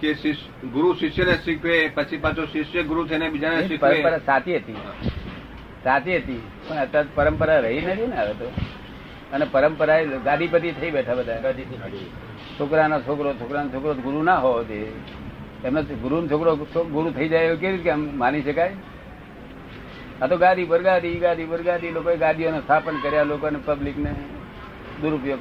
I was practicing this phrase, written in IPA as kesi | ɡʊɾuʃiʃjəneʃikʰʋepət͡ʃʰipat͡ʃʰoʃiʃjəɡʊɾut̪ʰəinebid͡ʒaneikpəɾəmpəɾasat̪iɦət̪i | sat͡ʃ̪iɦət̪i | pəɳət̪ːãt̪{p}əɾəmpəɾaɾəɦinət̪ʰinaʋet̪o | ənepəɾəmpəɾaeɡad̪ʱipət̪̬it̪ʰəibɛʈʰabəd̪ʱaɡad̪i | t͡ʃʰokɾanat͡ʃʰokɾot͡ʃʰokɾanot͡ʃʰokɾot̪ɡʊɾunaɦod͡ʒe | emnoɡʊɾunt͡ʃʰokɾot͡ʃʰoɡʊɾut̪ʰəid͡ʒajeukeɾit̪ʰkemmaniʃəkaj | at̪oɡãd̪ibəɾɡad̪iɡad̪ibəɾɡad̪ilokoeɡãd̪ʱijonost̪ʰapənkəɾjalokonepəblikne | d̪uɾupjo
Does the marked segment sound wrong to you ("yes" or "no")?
no